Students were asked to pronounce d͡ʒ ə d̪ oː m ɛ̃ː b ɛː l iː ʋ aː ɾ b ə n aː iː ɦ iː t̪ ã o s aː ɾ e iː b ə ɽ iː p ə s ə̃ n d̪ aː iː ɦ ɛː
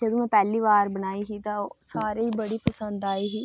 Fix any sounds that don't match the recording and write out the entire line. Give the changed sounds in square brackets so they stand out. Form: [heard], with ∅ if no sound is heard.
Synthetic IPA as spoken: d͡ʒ ə d̪ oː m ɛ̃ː [p] ɛː l iː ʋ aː ɾ b ə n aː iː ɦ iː t̪ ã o s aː ɾ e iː b ə ɽ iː p ə s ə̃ n d̪ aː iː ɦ [iː]